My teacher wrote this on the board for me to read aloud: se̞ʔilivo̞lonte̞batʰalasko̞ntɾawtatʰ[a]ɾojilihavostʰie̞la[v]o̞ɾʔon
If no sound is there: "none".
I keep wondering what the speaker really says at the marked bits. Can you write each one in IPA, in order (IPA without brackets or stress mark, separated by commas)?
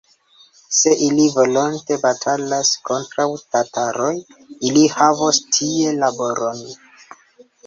a, b